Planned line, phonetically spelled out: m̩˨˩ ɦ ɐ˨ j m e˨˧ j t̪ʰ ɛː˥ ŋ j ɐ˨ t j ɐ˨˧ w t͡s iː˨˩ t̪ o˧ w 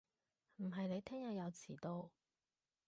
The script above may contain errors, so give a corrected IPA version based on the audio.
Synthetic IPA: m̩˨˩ ɦ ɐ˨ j n e˨˧ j t̪ʰ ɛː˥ ŋ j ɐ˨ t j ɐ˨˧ w t͡sʰ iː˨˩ t̪ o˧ w